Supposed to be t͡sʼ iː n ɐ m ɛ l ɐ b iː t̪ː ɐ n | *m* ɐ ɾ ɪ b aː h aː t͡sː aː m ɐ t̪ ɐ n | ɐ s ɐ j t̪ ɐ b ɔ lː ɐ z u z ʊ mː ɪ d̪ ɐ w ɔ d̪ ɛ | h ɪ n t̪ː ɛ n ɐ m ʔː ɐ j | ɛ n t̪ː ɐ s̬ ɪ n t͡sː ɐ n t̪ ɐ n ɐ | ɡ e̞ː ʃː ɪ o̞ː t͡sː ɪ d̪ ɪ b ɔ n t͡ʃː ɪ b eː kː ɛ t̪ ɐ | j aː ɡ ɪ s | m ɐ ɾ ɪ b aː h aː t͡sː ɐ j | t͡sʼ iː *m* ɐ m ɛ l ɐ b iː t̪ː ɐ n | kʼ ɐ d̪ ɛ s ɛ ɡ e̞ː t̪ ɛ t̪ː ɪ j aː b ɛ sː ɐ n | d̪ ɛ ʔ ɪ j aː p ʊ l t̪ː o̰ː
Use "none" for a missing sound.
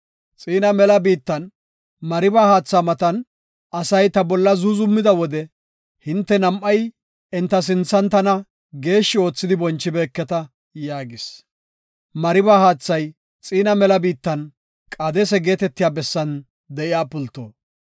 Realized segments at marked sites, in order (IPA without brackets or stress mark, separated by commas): m, n